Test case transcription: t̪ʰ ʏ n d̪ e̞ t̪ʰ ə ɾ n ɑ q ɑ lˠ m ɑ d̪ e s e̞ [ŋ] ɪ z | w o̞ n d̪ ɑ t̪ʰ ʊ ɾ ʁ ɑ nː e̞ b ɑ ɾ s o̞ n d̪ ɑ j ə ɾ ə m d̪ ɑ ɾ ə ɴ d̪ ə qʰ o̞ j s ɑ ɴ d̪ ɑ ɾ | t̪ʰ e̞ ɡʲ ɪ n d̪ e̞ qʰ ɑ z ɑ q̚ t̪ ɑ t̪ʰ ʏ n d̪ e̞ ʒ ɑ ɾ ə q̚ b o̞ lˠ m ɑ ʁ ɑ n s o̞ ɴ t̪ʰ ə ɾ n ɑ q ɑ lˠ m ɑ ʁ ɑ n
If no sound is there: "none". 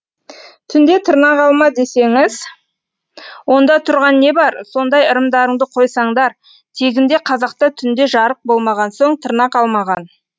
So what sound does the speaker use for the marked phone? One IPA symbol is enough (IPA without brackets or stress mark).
ŋ